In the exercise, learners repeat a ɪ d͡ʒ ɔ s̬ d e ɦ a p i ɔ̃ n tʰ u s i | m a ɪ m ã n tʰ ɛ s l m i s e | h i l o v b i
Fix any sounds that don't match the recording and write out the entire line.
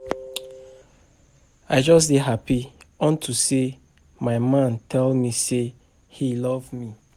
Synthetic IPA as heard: a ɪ d͡ʒ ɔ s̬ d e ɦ a p i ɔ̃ n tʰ u s e | m a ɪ m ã n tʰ ɛ l m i s e | h i l ɔ v m i